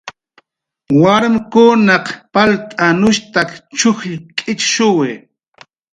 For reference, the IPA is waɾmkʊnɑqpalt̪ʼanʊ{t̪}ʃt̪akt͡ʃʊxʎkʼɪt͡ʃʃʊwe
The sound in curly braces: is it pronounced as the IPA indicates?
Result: no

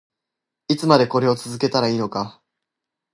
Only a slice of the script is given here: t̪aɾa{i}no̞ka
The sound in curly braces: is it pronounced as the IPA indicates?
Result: no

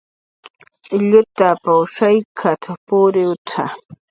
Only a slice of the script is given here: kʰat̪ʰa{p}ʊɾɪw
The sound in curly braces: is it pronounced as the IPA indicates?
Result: yes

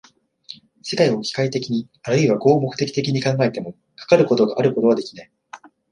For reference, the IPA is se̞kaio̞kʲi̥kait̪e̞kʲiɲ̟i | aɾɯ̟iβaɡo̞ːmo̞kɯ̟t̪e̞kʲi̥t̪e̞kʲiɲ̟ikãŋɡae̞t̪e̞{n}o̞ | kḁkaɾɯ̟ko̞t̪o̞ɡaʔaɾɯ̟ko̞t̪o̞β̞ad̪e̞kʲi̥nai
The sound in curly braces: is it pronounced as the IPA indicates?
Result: no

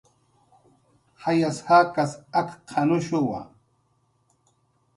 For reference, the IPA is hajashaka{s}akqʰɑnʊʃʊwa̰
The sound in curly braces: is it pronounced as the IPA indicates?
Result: yes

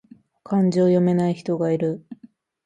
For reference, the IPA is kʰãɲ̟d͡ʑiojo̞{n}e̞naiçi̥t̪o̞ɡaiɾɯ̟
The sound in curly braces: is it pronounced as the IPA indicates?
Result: no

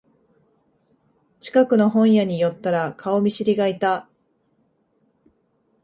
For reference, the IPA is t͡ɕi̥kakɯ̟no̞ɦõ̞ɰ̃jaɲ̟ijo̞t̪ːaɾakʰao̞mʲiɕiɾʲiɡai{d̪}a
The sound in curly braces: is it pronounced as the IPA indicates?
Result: no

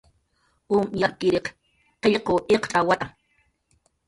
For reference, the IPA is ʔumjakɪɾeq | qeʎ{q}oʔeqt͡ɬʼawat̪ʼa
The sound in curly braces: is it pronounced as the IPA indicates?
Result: yes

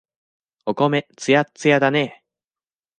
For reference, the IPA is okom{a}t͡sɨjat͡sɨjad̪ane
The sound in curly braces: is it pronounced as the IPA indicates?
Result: no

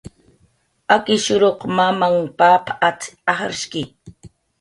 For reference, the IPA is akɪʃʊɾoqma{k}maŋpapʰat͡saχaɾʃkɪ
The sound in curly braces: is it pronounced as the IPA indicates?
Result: no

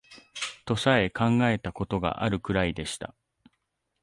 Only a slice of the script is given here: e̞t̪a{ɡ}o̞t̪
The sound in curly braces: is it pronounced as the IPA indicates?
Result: no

